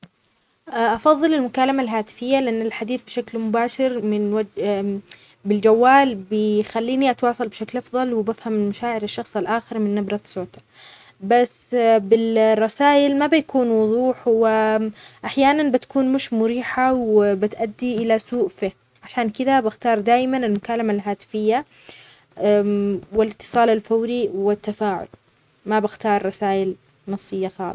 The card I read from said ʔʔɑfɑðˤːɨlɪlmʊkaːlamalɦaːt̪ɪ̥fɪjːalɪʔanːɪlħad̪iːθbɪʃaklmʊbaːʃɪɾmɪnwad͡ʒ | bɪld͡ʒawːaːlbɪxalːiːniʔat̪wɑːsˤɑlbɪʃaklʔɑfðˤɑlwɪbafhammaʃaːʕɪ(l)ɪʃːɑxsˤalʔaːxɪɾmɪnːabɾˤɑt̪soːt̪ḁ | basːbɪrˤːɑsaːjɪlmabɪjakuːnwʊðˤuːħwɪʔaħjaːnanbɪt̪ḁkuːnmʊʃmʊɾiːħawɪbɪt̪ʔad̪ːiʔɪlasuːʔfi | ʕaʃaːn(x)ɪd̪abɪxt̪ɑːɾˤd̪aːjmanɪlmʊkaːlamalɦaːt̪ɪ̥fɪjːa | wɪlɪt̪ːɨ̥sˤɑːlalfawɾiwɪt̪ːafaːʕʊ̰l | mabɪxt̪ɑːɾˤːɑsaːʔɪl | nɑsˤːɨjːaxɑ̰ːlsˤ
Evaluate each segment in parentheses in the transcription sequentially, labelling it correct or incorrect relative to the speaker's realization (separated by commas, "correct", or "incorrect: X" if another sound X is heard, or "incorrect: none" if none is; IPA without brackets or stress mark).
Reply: incorrect: ɾ, incorrect: k